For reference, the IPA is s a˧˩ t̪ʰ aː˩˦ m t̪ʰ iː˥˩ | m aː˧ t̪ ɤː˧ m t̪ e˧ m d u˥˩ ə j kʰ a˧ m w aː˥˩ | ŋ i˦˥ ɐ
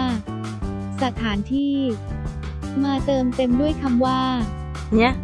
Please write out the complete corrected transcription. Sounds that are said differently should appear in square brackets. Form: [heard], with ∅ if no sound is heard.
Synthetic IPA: s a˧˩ t̪ʰ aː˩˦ [n] t̪ʰ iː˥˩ | m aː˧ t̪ ɤː˧ m t̪ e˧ m d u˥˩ ə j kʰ a˧ m w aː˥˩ | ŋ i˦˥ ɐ